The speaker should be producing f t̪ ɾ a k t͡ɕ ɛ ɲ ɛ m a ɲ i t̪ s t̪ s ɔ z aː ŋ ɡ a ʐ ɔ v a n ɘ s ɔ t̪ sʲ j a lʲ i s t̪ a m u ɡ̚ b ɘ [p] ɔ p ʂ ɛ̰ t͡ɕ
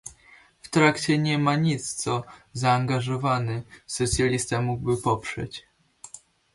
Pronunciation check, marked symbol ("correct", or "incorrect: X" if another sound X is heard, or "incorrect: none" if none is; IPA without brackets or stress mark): correct